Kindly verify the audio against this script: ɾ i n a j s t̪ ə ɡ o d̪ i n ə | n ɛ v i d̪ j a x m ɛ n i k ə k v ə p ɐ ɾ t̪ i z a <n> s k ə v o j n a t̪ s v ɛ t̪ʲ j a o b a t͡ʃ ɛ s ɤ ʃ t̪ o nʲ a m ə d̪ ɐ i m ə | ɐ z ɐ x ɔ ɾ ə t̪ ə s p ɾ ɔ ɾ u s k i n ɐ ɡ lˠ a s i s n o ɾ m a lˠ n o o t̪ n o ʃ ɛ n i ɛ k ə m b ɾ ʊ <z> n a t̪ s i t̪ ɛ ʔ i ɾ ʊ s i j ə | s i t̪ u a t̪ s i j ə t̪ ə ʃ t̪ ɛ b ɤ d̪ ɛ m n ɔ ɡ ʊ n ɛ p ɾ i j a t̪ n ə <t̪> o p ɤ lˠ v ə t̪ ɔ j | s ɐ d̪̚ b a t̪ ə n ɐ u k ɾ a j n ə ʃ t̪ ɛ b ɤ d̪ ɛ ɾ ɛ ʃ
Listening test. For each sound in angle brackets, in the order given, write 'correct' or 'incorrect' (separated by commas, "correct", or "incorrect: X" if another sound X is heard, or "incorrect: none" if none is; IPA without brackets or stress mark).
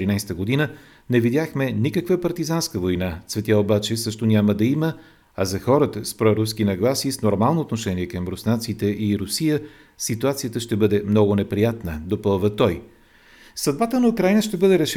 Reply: correct, incorrect: s, incorrect: d̪